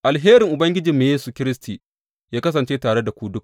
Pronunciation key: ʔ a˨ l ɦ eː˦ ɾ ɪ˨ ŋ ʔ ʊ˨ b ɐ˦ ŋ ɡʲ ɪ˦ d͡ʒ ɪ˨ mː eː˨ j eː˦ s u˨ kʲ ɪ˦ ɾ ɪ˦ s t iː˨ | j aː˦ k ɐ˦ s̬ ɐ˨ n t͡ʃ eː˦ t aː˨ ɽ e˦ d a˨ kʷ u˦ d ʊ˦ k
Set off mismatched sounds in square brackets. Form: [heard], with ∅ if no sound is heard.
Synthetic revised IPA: ʔ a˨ l ɦ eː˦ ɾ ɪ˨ ŋ ʔ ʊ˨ b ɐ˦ ŋ ɡʲ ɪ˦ d͡ʒ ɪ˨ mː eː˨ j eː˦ s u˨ kʲ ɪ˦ ɾ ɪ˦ s t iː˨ | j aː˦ k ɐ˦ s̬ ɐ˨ n t͡ʃ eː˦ t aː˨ ɽ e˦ d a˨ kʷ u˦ d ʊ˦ k